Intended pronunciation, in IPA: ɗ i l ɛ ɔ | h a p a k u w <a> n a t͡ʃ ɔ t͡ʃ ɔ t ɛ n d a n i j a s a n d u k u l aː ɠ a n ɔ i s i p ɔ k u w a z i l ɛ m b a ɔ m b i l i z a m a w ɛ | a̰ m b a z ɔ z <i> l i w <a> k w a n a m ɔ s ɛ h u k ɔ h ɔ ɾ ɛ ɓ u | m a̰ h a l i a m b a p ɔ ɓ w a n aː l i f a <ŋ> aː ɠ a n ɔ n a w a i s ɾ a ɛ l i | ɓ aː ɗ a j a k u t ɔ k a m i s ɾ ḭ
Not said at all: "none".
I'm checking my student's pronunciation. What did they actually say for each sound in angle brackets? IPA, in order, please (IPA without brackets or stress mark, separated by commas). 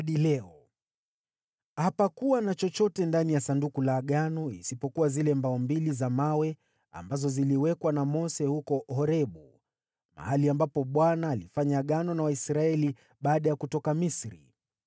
a, i, ɛ, ɲ